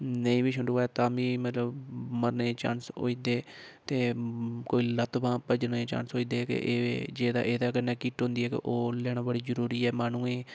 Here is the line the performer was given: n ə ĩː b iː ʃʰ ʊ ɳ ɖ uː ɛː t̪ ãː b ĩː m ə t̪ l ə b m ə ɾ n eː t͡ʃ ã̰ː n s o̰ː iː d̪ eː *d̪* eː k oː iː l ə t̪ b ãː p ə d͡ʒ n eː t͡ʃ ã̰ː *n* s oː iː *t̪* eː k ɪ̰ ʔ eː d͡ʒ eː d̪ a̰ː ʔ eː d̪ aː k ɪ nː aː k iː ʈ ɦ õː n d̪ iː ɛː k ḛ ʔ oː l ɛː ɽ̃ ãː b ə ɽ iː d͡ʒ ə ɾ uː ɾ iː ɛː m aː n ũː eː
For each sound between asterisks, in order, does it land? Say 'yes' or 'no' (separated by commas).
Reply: no, yes, no